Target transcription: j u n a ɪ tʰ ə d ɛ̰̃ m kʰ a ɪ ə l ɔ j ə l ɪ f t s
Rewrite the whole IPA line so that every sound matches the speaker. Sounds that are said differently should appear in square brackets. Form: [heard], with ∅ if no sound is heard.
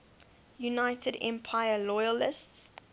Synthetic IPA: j u n a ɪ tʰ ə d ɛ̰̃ m [pʰ] a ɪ ə l ɔ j ə l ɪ [s] t s